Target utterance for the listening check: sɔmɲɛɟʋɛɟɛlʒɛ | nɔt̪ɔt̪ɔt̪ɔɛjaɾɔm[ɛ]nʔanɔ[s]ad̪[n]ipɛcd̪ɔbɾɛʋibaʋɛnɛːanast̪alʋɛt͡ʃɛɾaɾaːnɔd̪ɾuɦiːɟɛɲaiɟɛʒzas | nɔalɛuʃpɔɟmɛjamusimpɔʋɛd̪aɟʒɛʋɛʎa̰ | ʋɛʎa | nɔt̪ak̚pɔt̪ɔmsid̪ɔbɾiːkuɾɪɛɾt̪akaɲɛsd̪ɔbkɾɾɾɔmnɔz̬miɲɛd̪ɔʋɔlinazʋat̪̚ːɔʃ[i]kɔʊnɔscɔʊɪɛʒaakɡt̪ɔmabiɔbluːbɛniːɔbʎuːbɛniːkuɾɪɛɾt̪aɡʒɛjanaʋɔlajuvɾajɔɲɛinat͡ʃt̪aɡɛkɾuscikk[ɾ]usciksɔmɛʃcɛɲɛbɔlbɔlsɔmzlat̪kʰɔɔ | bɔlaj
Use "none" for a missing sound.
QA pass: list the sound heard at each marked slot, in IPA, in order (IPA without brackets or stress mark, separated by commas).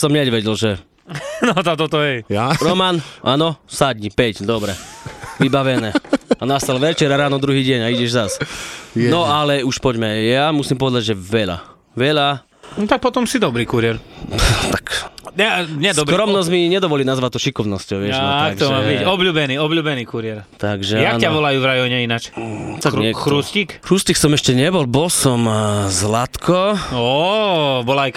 a, s, ɲ, i, ɾ